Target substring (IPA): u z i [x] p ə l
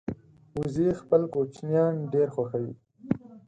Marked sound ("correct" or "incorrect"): correct